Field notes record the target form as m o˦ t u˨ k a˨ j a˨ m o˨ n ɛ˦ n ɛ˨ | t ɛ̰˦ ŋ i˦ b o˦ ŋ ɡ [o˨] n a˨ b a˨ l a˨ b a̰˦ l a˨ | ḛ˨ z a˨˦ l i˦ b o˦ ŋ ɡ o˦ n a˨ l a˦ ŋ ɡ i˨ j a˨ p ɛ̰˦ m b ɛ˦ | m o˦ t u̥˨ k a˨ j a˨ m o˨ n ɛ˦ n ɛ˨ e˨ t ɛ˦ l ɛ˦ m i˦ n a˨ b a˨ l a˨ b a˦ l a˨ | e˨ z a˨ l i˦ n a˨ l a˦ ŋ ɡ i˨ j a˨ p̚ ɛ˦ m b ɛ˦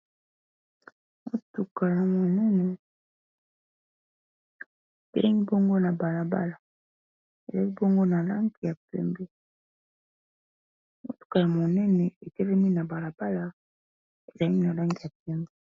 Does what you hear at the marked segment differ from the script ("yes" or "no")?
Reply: yes